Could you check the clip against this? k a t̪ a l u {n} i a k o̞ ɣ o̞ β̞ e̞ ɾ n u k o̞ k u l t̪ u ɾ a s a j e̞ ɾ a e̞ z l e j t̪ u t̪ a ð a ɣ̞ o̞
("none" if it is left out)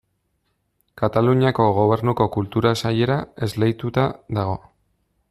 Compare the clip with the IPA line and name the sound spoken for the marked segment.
ɲ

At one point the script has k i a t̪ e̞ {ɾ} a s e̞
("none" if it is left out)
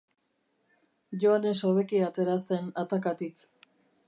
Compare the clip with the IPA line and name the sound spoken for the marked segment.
ɾ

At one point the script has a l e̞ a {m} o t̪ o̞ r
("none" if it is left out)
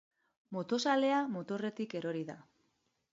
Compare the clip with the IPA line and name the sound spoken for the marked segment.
m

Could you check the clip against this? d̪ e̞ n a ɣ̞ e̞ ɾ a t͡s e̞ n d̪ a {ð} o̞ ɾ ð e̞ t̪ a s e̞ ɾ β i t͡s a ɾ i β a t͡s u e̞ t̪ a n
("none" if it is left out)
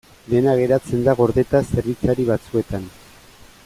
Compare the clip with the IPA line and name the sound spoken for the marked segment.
ɣ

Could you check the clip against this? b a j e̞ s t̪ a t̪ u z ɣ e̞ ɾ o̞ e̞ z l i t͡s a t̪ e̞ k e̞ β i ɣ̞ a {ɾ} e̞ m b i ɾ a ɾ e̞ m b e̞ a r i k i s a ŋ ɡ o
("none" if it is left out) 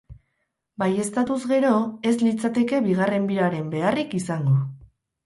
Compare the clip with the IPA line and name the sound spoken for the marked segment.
r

